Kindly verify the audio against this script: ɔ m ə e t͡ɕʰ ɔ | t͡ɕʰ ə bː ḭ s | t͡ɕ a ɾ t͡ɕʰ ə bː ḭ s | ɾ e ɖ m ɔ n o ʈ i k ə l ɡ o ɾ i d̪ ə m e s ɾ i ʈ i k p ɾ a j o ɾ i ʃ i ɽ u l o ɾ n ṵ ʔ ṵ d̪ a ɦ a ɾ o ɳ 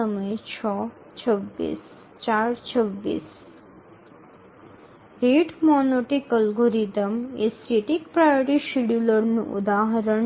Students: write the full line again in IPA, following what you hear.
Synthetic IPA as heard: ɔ m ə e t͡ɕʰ ɔ | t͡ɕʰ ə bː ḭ s | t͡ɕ a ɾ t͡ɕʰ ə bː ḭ s | ɾ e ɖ m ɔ n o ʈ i k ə l ɡ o ɾ i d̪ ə m e s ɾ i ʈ i k p ɾ a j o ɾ i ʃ i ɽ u l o ɾ n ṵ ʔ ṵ d̪ a ɦ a ɾ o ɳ

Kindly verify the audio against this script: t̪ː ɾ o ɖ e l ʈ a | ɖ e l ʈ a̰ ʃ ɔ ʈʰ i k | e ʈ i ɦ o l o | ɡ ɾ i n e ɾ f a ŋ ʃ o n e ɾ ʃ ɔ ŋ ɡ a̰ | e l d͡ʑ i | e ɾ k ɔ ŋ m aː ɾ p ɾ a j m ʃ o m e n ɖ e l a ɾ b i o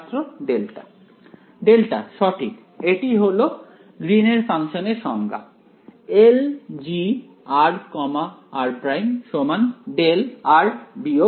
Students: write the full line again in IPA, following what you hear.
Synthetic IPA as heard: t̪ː ɾ o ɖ e l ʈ a | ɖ e l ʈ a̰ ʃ ɔ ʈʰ i k | e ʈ i ɦ o l o | ɡ ɾ i n e ɾ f a ŋ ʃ o n e ɾ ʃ ɔ ŋ ɡ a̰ | e l d͡ʑ i | a ɾ k ɔ m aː ɾ p ɾ a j m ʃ o m a n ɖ e l a ɾ b i o

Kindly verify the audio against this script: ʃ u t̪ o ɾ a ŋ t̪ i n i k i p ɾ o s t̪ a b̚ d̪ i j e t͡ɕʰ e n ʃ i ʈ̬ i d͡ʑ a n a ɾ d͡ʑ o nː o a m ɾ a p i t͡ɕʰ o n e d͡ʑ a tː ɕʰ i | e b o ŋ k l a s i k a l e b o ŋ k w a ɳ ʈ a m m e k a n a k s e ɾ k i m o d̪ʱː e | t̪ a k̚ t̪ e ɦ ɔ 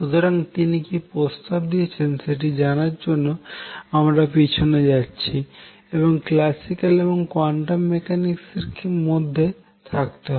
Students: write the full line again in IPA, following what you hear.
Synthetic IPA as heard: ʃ u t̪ o ɾ a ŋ t̪ i n i k i p ɾ o s t̪ a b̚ d̪ i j e t͡ɕʰ e n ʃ e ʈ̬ i d͡ʑ a n a ɾ d͡ʑ o nː o a m ɾ a p i t͡ɕʰ o n e d͡ʑ a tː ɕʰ i | e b o ŋ k l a s i k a l e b o ŋ k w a ɳ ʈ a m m e k a n i k s e ɾ k i m o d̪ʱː e | t̪ʰ a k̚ t̪ e ɦ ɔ

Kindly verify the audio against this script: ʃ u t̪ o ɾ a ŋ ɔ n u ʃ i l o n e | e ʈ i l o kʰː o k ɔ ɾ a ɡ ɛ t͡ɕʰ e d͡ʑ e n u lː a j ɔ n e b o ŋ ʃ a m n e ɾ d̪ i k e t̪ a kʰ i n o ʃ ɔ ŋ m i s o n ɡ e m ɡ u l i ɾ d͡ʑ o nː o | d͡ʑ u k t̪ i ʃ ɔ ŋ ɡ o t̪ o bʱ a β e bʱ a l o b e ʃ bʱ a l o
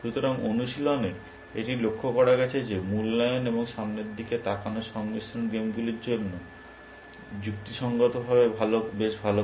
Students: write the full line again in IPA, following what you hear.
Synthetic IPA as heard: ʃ u t̪ o ɾ a ŋ o n u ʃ i l o n e | e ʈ i l o kʰː o k ɔ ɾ a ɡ ɛ t͡ɕʰ e d͡ʑ e m u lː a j o n e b o ŋ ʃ a m n e ɾ d̪ i k e t̪ a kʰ a n o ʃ ɔ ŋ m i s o n ɡ e m ɡ u l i ɾ d͡ʑ o nː o | d͡ʑ u k t̪ i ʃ ɔ ŋ ɡ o t̪ o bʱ a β e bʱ a l o b e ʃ bʱ a l o

